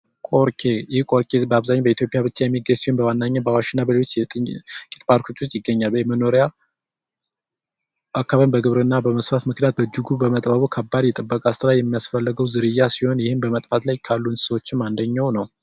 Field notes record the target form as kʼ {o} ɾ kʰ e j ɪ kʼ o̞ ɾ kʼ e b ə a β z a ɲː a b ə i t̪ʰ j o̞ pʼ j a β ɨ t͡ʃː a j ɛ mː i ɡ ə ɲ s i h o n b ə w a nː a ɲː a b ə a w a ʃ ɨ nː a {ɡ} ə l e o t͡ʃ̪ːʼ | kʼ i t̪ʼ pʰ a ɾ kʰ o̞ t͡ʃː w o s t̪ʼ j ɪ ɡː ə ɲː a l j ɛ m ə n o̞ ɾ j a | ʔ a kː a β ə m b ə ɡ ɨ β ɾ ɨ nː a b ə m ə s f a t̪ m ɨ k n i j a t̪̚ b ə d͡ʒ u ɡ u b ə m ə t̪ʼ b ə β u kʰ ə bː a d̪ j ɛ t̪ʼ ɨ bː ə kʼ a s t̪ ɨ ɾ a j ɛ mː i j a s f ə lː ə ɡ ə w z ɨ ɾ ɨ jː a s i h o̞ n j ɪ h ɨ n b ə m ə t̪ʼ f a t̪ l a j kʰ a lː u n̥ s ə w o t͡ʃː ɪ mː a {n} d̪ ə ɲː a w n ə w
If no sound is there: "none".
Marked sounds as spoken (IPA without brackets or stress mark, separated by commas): o, b, n